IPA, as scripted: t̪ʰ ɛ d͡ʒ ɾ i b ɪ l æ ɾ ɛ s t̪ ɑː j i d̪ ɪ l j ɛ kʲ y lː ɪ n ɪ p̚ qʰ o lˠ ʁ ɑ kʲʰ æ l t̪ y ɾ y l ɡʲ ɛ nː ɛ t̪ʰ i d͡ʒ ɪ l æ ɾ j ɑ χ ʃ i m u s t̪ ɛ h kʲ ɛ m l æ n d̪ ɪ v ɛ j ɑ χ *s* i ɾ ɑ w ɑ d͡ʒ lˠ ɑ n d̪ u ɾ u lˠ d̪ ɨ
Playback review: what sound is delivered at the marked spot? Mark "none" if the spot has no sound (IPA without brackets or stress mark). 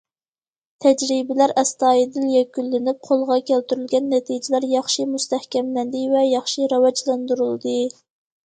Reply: ʃ